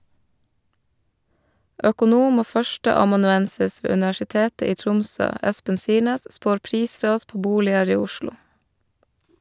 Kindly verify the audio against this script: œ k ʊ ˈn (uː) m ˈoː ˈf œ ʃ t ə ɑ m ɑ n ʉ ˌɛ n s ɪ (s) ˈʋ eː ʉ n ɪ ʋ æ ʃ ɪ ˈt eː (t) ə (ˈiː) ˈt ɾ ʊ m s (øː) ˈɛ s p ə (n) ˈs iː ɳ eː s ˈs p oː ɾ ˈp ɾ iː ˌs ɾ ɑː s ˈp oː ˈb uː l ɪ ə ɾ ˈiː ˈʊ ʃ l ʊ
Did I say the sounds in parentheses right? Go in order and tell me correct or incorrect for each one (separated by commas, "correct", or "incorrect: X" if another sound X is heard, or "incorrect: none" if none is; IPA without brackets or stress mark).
correct, correct, correct, correct, correct, correct